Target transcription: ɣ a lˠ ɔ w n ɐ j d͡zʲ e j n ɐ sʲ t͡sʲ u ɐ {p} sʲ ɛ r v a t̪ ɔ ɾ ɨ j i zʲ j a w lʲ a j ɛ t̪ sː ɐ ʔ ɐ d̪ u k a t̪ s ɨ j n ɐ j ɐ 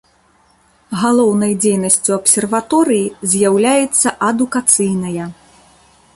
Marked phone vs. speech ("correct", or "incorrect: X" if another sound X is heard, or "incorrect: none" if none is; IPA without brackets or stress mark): correct